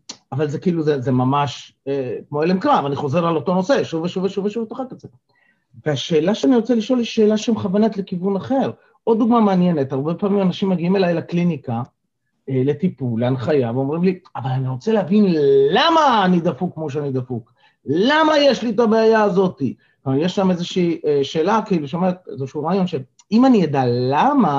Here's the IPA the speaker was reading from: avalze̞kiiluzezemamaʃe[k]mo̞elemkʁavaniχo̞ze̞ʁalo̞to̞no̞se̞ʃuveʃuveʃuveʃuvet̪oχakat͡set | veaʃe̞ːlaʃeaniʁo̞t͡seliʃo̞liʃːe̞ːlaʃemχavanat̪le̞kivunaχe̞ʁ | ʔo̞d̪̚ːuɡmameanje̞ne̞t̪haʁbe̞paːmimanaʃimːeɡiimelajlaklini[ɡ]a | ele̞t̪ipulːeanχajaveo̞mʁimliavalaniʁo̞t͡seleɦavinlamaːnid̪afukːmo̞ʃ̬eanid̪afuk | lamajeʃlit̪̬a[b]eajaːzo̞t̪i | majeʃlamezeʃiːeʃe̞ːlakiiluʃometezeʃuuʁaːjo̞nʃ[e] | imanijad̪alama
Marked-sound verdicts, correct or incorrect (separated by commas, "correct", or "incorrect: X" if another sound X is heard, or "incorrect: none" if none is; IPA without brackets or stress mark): correct, incorrect: k, correct, correct